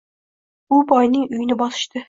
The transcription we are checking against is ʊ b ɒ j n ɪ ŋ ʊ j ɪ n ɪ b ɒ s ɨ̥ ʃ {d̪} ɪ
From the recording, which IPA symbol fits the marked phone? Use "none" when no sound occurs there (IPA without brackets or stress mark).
t̪